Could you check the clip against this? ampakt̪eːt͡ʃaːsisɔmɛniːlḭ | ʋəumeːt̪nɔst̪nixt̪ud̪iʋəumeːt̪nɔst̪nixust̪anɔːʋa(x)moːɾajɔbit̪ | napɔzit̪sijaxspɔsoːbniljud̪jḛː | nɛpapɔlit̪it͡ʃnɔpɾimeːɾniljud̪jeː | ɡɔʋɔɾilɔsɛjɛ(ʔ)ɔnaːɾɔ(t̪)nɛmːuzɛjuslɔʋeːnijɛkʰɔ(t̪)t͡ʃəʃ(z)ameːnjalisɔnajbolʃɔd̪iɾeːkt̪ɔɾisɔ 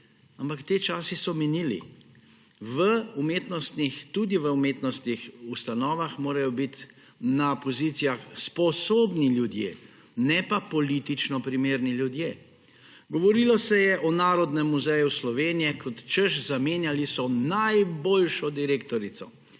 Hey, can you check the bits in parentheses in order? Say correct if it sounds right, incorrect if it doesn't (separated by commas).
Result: correct, correct, incorrect, correct, correct